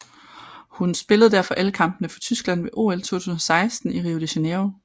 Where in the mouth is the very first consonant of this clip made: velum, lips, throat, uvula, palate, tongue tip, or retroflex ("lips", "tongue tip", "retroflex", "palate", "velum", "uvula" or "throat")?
throat